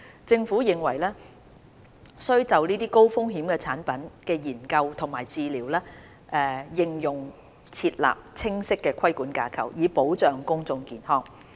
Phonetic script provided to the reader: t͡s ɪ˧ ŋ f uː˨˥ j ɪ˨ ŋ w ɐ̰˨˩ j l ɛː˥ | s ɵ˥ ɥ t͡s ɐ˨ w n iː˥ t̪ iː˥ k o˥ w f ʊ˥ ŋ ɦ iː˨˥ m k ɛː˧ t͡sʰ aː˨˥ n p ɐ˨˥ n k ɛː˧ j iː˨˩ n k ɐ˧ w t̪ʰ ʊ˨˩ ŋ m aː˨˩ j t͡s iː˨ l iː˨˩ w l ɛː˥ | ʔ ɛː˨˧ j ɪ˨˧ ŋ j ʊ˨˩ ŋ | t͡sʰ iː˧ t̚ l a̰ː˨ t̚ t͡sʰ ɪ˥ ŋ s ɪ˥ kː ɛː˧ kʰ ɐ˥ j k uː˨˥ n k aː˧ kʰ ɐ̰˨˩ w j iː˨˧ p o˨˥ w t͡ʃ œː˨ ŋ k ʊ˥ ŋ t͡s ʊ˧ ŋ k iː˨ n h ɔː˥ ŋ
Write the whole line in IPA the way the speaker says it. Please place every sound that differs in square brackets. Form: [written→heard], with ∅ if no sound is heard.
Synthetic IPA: t͡s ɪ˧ ŋ f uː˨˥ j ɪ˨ ŋ w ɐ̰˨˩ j l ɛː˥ | s ɵ˥ ɥ t͡s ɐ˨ w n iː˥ t̪ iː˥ k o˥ w f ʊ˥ ŋ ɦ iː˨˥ m k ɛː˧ t͡sʰ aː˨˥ n p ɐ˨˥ n k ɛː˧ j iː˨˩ n k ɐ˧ w t̪ʰ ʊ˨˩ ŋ m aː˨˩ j t͡s iː˨ l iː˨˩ w l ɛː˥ | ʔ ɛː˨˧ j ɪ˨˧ ŋ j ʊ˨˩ ŋ | t͡sʰ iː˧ t̚ l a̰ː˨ [t̚→p̚] t͡sʰ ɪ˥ ŋ s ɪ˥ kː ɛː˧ kʰ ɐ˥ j k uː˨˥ n k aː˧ kʰ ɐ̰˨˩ w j iː˨˧ p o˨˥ w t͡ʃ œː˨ ŋ k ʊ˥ ŋ t͡s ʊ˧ ŋ k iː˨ n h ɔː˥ ŋ

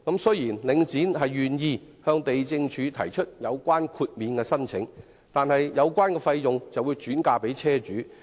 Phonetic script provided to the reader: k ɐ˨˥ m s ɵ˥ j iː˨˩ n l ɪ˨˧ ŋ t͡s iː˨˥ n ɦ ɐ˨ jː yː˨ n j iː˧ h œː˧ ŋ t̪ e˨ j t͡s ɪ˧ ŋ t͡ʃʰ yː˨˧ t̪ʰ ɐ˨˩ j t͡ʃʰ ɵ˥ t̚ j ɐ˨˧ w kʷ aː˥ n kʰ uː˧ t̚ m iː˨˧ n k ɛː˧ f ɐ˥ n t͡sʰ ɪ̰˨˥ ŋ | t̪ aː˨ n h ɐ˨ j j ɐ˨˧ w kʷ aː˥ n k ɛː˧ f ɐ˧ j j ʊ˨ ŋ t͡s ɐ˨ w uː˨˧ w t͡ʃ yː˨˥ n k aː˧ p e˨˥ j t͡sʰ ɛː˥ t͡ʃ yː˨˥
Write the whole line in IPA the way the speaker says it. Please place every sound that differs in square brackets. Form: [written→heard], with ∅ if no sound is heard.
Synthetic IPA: k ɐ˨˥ m s ɵ˥ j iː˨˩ n l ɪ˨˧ ŋ t͡s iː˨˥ n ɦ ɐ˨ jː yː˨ n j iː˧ h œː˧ ŋ t̪ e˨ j t͡s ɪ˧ ŋ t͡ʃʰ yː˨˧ t̪ʰ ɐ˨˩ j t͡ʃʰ ɵ˥ t̚ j ɐ˨˧ w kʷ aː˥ n kʰ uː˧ t̚ m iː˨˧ n k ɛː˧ [f→s] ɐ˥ n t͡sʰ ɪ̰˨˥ ŋ | t̪ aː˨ n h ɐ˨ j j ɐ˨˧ w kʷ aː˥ n k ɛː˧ f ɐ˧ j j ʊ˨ ŋ t͡s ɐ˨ w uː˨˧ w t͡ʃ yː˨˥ n k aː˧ p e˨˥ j t͡sʰ ɛː˥ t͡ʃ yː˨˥

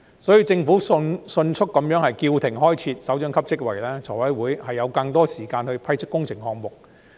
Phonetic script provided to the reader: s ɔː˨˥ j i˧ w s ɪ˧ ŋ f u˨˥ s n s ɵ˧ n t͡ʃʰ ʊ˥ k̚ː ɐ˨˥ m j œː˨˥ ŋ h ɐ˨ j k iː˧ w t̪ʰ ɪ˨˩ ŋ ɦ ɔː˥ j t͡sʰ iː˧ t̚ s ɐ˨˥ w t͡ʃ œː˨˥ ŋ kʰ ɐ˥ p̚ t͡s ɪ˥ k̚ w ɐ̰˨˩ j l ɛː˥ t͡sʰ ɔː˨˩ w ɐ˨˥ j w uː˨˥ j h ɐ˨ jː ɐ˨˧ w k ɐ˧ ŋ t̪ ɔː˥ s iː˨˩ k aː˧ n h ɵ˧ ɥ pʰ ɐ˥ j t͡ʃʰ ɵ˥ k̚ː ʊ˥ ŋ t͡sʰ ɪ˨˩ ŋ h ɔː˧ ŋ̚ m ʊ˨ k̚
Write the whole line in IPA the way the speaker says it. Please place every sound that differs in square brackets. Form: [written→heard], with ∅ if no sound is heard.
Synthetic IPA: s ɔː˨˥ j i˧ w [s→t͡s] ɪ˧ ŋ f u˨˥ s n s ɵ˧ n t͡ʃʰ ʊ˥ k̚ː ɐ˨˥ m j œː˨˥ ŋ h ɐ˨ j k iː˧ w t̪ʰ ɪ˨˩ ŋ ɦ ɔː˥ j t͡sʰ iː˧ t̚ s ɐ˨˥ w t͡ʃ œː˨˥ ŋ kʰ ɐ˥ p̚ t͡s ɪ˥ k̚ w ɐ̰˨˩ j l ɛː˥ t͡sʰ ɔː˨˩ w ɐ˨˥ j w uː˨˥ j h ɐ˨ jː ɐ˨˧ w k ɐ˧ ŋ t̪ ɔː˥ s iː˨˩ k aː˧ n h ɵ˧ ɥ pʰ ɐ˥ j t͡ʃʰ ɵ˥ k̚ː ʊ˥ ŋ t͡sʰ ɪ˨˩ ŋ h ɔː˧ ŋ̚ m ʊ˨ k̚

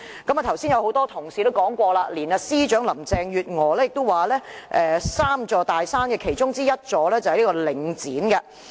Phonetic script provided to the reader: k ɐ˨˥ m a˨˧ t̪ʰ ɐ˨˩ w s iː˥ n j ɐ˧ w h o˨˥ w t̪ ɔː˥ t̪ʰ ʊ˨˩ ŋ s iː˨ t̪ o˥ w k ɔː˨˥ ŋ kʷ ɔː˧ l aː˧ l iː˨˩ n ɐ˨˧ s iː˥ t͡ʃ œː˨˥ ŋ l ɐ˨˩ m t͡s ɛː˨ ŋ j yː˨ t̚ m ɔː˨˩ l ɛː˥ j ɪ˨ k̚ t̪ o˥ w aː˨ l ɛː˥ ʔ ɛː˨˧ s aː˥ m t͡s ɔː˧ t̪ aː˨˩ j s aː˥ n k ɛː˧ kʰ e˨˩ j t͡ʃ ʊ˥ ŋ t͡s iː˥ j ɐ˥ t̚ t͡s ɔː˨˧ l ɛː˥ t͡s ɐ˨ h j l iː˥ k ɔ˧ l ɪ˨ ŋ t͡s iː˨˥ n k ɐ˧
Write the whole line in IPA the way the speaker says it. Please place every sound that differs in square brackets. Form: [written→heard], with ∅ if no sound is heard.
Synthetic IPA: k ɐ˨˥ m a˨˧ t̪ʰ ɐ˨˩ w s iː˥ n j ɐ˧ w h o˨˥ w t̪ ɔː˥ t̪ʰ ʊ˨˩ ŋ s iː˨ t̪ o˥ w k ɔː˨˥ ŋ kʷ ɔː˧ l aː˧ l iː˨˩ n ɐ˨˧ s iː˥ t͡ʃ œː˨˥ ŋ l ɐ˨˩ m t͡s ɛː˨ ŋ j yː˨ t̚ [m→ŋ] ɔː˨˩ l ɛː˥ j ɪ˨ k̚ t̪ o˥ w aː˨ l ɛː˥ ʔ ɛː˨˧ s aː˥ m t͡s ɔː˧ t̪ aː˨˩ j s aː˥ n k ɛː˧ kʰ e˨˩ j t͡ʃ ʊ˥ ŋ t͡s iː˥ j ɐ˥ t̚ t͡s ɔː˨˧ l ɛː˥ t͡s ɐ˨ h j l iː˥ k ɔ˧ l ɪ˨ ŋ t͡s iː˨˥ n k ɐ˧

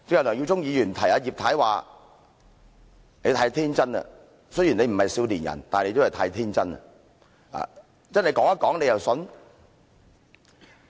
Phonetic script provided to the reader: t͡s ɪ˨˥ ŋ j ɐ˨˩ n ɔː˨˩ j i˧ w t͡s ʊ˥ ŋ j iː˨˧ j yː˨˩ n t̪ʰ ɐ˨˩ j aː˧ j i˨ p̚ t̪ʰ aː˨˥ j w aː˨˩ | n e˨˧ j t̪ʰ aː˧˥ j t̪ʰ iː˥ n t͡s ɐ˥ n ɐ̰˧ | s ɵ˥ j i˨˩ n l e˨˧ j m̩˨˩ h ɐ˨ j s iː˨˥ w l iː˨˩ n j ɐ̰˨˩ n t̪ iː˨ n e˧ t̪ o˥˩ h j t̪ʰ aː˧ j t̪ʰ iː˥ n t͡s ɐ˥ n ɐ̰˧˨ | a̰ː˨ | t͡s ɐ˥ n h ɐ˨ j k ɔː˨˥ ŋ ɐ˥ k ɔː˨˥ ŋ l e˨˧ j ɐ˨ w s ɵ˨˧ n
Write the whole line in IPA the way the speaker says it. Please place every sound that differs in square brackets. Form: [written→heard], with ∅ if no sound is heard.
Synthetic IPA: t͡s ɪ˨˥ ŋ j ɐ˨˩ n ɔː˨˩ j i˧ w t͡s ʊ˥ ŋ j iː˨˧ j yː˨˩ n t̪ʰ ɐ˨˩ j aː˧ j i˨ p̚ t̪ʰ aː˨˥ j w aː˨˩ | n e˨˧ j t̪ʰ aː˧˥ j t̪ʰ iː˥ n t͡s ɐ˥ n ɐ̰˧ | s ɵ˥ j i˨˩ n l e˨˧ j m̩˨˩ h ɐ˨ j s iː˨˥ w l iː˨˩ n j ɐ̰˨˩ n t̪ [iː˨→aː˨] n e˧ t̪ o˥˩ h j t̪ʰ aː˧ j t̪ʰ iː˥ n t͡s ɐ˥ n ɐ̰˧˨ | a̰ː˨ | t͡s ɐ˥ n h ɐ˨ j k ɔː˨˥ ŋ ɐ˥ k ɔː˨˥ ŋ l e˨˧ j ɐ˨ w s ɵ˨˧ n

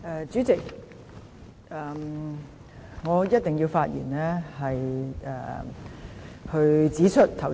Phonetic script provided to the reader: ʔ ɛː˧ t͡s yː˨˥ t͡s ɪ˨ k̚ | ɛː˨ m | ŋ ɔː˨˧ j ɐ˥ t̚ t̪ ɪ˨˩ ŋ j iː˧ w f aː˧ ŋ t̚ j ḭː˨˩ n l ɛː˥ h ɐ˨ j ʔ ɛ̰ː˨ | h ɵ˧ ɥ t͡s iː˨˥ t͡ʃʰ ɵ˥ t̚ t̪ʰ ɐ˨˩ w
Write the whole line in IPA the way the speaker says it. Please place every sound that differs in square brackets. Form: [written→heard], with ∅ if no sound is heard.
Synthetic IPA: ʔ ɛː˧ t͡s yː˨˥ t͡s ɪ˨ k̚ | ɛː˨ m | ŋ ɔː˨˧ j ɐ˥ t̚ t̪ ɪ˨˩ ŋ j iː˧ w f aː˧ [ŋ→∅] t̚ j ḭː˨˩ n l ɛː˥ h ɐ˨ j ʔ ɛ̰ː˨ | h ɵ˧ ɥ t͡s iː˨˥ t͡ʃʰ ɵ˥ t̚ t̪ʰ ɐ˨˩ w

